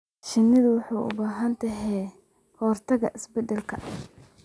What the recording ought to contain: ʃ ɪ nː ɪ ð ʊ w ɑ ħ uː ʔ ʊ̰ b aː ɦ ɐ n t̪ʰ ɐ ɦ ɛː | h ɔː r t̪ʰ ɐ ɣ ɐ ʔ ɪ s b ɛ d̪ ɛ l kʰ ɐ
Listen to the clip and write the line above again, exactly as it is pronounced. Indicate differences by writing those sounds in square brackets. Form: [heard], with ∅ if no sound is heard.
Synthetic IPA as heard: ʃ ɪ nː ɪ ð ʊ w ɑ ħ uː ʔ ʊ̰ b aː ɦ ɐ n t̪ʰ ɐ ɦ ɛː | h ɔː r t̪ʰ ɐ ɣ ɐ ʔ ɪ s b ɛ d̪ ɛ l kʰ ɐ

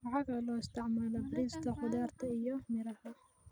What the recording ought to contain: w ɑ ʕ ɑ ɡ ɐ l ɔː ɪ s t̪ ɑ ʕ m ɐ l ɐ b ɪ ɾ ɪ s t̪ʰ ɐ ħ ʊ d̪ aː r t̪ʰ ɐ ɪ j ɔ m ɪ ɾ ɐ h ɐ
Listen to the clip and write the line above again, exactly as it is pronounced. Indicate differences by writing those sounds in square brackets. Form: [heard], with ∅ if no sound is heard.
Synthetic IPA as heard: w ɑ ʕ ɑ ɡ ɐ l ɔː ɪ s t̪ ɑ ʕ m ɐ l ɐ b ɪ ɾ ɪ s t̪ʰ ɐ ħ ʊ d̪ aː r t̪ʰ ɐ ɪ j ɔ m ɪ ɾ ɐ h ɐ

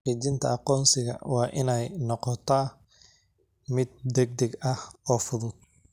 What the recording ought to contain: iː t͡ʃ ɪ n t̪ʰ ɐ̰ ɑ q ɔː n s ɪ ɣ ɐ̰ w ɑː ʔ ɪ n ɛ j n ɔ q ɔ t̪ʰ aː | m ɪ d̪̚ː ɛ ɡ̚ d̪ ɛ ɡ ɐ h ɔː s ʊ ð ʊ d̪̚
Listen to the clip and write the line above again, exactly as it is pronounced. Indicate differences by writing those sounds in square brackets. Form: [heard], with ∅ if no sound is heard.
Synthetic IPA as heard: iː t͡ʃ ɪ n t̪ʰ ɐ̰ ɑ q ɔː n s ɪ ɣ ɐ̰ w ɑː ʔ ɪ n ɛ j n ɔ q ɔ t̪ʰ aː | m ɪ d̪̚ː ɛ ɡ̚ d̪ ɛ ɡ ɐ h ɔː [f] ʊ ð ʊ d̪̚

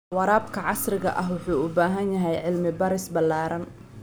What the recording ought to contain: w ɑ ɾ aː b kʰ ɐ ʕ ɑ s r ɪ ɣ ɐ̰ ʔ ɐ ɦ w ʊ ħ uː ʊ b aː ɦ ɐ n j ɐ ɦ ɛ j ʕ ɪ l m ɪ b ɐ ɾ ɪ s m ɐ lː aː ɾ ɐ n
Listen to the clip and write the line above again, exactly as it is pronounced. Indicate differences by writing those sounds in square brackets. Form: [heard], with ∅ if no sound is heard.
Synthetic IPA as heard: w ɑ ɾ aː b kʰ ɐ ʕ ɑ s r ɪ ɣ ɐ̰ ʔ ɐ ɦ w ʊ ħ uː ʊ b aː ɦ ɐ n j ɐ ɦ ɛ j ʕ ɪ l m ɪ b ɐ ɾ ɪ s [b] ɐ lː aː ɾ ɐ n

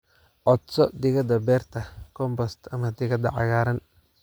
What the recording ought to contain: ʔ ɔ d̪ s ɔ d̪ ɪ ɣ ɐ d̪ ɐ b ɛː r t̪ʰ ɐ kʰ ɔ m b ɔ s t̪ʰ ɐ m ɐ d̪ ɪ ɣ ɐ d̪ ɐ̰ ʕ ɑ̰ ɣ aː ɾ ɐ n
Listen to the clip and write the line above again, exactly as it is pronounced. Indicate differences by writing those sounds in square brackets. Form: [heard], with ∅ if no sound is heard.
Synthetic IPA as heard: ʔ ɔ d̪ s ɔ d̪ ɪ ɣ ɐ d̪ ɐ b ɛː r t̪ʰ ɐ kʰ ɔ m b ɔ s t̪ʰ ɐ m ɐ d̪ ɪ ɣ ɐ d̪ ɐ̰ ʕ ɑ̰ ɣ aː ɾ ɐ n

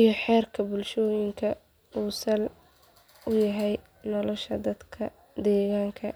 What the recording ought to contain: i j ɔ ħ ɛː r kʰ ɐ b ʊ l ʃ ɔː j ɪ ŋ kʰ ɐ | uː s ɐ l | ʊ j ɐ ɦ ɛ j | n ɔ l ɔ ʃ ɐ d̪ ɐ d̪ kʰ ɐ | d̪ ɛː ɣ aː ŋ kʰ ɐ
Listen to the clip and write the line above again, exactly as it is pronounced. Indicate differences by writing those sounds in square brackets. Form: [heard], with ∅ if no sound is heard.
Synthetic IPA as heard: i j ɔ ħ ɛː r kʰ ɐ b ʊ l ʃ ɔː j ɪ ŋ kʰ ɐ | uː s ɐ l | ʊ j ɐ ɦ ɛ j | n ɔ l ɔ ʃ ɐ d̪ ɐ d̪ kʰ ɐ | d̪ ɛː ɣ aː ŋ kʰ ɐ

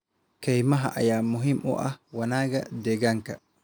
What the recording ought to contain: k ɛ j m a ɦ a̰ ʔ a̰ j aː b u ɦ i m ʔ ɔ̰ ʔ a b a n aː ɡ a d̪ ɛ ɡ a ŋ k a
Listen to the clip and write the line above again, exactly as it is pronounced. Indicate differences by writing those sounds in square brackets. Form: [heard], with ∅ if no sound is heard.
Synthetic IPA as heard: k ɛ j m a ɦ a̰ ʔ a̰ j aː [m] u ɦ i m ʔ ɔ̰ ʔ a [w] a n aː ɡ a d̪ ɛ ɡ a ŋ k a

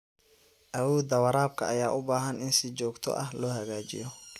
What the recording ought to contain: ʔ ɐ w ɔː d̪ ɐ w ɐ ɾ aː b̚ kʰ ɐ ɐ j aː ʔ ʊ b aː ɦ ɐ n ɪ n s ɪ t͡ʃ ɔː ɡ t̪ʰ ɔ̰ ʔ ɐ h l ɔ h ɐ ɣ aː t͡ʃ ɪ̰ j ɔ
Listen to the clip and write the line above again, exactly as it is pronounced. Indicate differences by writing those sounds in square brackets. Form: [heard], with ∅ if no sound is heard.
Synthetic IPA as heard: ʔ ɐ w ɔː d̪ ɐ w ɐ ɾ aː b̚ kʰ ɐ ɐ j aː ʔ ʊ b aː ɦ ɐ n ɪ n s ɪ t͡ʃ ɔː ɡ t̪ʰ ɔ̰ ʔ ɐ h l [ɔː] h ɐ ɣ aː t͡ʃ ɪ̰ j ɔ

